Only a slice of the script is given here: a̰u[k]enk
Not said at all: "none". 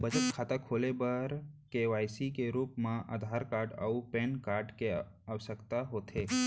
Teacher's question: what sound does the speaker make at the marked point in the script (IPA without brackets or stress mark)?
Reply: p